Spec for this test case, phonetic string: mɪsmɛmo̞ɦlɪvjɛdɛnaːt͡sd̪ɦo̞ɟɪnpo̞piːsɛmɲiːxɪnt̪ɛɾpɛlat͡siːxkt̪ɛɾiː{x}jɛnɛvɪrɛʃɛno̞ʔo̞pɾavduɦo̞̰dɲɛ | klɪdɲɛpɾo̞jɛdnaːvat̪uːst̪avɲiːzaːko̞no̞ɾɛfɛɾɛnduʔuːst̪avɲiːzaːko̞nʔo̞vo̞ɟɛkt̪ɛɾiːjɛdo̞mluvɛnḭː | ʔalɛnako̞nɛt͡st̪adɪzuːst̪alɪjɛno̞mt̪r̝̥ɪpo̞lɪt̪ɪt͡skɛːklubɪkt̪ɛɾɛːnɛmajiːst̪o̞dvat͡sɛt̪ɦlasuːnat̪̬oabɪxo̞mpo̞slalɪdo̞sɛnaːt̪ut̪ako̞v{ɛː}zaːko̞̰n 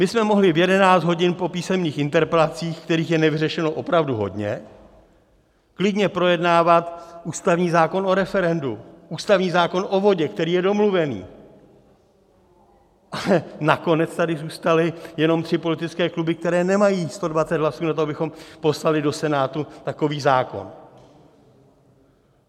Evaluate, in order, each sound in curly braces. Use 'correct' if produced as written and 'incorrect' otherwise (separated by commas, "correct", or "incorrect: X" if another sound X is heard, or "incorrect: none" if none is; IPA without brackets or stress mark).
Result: correct, incorrect: iː